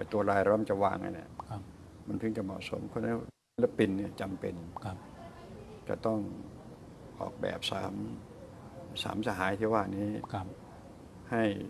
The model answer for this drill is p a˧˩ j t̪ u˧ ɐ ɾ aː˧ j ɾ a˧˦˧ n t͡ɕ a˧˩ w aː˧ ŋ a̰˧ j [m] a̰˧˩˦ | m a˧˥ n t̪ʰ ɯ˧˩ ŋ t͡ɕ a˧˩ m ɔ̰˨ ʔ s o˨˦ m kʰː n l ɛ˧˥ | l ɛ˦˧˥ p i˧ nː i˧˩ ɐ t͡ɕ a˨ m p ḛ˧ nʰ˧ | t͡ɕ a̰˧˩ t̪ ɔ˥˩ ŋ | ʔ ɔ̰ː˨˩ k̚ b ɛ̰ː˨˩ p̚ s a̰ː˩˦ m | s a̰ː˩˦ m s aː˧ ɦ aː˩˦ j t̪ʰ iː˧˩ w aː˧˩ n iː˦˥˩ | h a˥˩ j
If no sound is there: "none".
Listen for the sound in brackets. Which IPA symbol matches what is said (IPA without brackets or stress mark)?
n